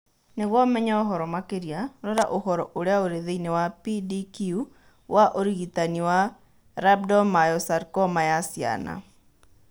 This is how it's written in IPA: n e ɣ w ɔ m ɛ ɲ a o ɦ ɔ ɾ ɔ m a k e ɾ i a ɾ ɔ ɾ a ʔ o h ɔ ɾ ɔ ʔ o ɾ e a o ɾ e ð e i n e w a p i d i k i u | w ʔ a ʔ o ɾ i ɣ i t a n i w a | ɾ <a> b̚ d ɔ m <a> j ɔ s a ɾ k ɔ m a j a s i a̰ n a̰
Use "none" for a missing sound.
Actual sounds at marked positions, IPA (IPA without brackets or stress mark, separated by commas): a, a